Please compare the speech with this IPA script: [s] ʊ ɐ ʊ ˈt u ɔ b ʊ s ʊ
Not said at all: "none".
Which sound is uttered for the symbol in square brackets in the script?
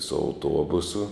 s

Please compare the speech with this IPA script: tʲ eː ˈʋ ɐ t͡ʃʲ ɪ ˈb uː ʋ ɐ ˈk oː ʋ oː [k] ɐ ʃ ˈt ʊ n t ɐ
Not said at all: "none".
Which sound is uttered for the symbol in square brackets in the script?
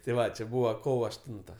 none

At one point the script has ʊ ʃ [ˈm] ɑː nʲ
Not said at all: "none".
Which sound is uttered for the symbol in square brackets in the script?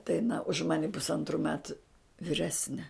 m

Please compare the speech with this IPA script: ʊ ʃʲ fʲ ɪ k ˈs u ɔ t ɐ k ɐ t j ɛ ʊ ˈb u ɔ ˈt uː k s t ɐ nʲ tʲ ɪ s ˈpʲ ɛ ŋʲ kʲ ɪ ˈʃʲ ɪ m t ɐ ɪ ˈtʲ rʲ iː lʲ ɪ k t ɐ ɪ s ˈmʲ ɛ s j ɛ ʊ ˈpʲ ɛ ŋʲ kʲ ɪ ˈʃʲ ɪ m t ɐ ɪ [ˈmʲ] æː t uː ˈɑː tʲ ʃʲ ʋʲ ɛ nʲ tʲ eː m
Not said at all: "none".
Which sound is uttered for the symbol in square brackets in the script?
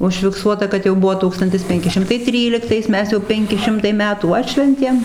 mʲ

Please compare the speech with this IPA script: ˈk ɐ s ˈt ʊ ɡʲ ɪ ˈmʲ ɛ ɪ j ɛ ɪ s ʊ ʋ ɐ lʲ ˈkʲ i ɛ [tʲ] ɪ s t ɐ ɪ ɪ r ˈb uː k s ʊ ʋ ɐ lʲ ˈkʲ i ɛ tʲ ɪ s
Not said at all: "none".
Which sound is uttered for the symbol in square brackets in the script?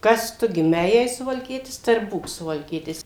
tʲ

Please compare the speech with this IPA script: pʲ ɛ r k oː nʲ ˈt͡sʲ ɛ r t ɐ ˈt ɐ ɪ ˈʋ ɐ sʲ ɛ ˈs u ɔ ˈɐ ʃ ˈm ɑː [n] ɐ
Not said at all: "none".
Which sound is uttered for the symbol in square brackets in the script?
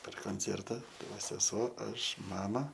m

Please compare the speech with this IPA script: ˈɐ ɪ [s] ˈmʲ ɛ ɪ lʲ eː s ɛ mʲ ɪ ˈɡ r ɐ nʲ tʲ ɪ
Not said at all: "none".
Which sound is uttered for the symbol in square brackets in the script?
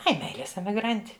none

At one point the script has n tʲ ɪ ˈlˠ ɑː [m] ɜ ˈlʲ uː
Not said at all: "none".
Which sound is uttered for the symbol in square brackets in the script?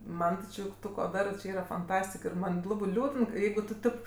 b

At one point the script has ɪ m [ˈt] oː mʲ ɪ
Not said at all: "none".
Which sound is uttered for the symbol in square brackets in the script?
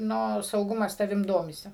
d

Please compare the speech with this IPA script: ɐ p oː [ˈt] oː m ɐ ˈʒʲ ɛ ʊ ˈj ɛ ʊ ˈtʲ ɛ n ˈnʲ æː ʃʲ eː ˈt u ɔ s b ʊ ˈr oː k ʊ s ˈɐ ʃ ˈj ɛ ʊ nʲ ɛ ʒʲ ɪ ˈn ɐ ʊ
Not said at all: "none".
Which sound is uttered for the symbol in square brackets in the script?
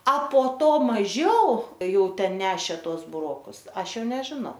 t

